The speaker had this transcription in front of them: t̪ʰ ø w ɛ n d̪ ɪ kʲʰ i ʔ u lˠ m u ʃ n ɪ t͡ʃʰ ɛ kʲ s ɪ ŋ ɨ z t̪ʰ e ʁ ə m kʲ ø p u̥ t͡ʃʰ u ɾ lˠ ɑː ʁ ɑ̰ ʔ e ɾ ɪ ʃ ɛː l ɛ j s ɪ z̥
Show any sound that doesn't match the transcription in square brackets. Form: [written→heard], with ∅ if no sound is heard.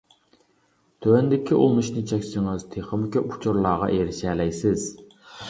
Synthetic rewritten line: t̪ʰ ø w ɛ n d̪ ɪ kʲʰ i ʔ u lˠ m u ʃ n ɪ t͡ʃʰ ɛ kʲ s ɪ ŋ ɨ z t̪ʰ e [ʁ→χ] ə m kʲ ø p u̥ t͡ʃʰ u ɾ lˠ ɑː ʁ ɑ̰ ʔ e ɾ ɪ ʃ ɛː l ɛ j s ɪ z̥